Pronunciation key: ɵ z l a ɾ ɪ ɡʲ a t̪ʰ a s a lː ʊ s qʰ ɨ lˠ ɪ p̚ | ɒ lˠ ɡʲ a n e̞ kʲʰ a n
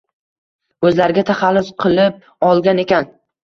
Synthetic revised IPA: ɵ z l a ɾ ɪ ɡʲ a t̪ʰ a χ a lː ʊ s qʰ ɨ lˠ ɪ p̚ | ɒ lˠ ɡʲ a n e̞ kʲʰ a n